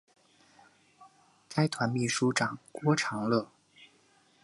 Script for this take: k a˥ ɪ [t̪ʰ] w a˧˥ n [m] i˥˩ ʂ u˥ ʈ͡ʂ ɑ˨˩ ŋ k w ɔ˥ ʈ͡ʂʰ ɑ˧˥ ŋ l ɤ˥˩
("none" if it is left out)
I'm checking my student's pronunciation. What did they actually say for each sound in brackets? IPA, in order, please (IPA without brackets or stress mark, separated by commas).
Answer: t̪ʰ, m